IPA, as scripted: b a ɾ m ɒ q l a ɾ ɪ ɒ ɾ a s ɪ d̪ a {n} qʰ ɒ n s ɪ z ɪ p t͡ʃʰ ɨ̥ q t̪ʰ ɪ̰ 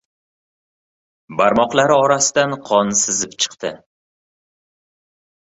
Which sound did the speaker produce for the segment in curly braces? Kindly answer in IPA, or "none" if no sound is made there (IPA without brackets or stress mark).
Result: n